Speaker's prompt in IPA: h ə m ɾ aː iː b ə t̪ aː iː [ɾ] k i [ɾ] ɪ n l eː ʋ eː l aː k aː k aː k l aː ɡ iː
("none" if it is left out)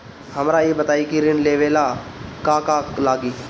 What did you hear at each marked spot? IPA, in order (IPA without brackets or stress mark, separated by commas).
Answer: none, ɾ